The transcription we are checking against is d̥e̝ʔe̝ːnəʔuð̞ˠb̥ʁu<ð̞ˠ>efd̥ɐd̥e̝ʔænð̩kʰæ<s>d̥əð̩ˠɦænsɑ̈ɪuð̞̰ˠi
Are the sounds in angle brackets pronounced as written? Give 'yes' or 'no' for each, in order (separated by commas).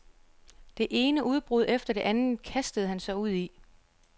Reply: yes, yes